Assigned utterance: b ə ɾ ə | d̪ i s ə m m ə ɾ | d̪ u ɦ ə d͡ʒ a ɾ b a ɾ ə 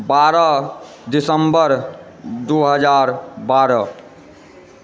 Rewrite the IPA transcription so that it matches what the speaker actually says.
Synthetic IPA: b a ɾ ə | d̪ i s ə m b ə ɾ | d̪ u ɦ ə d͡ʒ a ɾ b a ɾ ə